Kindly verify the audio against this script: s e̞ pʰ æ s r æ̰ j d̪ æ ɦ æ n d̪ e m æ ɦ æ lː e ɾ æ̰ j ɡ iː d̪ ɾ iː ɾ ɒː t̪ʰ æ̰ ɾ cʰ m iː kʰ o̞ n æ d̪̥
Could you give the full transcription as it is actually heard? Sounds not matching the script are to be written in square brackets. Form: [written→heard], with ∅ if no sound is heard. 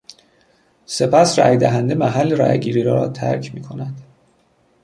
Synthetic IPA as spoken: s e̞ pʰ æ s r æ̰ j d̪ æ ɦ æ n d̪ e m æ ɦ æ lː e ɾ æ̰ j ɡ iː [d̪→∅] ɾ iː ɾ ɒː t̪ʰ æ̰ ɾ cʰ m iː kʰ o̞ n æ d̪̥